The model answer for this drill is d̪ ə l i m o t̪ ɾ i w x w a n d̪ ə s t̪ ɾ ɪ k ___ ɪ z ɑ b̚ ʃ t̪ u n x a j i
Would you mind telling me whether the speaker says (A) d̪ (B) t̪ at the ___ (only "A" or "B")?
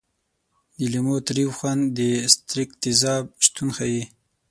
B